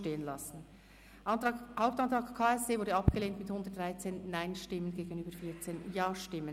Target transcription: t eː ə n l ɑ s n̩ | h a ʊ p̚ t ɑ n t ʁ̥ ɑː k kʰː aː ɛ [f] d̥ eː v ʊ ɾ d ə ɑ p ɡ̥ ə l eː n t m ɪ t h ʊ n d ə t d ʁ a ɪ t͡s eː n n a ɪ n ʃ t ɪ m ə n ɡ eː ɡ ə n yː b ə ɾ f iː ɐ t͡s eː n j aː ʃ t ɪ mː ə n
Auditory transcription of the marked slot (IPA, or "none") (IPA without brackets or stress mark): s